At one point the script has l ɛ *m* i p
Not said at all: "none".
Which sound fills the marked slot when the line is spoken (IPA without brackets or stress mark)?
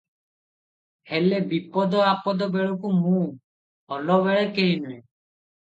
b